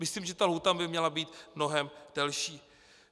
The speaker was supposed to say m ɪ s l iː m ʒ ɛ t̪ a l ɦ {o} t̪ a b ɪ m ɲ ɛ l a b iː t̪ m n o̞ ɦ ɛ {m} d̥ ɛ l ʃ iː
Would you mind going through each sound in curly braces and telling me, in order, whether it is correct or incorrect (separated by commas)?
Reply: incorrect, correct